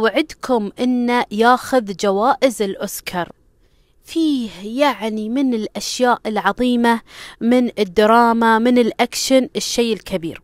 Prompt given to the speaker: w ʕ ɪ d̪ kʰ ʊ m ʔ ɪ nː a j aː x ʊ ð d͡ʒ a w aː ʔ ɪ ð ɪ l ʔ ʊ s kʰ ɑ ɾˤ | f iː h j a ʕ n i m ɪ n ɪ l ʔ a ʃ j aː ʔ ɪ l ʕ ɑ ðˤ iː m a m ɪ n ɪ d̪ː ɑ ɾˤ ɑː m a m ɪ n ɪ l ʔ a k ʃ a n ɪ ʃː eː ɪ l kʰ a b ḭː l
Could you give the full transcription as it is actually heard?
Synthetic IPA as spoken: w ʕ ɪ d̪ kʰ ʊ m ʔ ɪ nː a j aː x ʊ ð d͡ʒ a w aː ʔ ɪ z ɪ l ʔ ʊ s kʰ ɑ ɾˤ | f iː h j a ʕ n i m ɪ n ɪ l ʔ a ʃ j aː ʔ ɪ l ʕ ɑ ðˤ iː m a m ɪ n ɪ d̪ː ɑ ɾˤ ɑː m a m ɪ n ɪ l ʔ a k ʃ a n ɪ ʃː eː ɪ l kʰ a b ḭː ɾ